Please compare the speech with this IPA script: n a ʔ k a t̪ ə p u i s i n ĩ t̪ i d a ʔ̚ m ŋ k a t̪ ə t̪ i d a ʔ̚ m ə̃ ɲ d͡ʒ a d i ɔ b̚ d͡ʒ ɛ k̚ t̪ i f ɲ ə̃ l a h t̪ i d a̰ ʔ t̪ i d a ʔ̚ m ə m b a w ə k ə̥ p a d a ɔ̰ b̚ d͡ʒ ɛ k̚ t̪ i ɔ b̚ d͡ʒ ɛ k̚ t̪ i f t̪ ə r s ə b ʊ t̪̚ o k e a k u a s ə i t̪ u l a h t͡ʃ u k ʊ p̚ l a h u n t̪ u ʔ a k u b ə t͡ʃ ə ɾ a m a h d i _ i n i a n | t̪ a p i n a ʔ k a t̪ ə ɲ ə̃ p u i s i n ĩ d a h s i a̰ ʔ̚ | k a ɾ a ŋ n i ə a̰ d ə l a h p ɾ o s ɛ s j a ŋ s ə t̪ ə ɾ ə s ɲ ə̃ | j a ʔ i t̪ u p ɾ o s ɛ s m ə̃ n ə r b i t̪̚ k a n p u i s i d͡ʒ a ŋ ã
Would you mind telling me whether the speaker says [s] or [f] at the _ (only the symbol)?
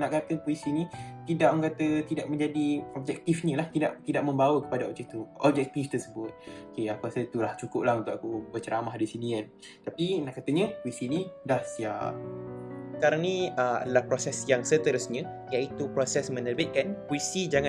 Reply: s